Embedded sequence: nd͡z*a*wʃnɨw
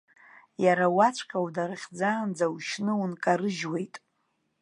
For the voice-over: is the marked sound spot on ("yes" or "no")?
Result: yes